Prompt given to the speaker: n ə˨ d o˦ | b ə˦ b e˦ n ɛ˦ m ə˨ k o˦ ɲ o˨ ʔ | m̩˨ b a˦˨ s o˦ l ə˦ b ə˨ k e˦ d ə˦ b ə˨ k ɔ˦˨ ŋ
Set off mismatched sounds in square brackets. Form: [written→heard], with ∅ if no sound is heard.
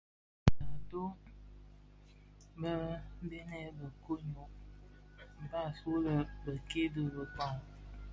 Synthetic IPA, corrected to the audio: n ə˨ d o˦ | b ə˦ b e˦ n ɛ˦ [m→b] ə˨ k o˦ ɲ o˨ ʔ | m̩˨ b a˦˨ s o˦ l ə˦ b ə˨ k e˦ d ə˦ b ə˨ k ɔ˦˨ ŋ